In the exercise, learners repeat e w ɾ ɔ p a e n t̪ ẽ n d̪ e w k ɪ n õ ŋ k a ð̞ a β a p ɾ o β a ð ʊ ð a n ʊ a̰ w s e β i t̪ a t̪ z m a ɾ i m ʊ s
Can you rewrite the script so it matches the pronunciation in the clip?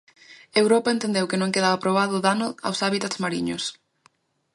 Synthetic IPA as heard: e w ɾ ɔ p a e n t̪ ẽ n d̪ e w k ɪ n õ ŋ k e ð̞ a β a p ɾ o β a ð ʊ ð a n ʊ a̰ w s a β i t̪ a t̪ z m a ɾ i ɲ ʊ s